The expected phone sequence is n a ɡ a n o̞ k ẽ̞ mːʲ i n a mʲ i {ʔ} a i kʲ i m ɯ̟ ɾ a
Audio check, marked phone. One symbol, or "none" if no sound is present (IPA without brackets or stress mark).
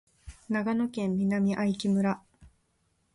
ʔ